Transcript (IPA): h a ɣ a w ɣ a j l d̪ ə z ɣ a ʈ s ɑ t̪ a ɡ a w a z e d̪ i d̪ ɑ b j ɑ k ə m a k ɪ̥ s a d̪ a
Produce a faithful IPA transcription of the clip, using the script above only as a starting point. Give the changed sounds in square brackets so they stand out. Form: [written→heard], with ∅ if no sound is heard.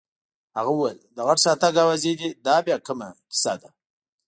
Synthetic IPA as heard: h a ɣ a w [ɣ→w] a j l d̪ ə [z→∅] ɣ a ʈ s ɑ t̪ a ɡ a w a z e d̪ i d̪ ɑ b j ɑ k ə m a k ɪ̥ s a d̪ a